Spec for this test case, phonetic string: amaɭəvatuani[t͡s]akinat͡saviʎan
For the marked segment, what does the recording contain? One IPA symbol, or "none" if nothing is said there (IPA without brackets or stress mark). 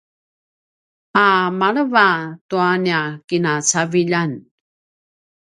none